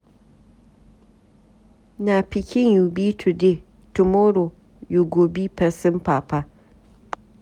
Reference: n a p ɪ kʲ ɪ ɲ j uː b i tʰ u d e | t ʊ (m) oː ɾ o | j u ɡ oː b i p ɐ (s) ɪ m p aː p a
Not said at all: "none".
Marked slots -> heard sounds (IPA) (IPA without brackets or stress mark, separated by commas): m, s